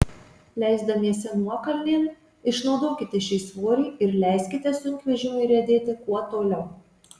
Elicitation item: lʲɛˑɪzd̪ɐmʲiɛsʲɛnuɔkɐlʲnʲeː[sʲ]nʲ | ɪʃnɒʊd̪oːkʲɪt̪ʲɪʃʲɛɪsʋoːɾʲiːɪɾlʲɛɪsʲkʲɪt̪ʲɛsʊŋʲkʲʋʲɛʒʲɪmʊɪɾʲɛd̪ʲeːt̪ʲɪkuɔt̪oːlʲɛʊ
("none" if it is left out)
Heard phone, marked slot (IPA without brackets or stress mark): none